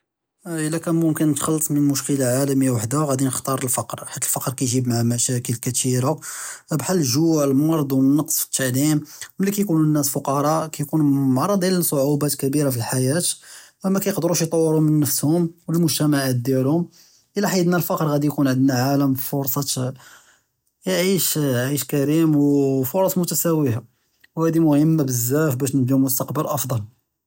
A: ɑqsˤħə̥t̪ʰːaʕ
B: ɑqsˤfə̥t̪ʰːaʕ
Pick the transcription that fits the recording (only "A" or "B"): B